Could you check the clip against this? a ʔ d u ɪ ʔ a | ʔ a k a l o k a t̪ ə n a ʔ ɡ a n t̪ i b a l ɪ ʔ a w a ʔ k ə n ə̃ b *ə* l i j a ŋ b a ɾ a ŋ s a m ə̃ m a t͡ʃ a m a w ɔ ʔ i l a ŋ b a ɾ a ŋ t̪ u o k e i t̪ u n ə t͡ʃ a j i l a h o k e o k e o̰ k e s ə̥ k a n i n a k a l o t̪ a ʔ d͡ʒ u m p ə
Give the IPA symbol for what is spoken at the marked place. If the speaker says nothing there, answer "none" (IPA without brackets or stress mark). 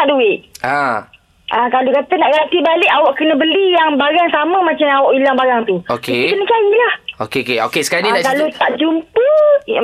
ə